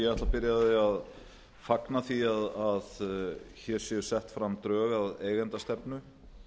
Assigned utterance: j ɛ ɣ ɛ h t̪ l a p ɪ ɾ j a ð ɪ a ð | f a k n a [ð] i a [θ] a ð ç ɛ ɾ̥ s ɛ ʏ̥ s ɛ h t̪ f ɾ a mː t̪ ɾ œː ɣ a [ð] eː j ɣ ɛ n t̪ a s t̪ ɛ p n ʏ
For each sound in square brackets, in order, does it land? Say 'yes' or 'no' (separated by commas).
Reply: no, no, yes